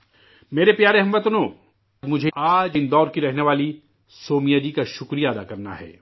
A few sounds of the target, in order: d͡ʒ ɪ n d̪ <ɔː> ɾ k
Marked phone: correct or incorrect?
correct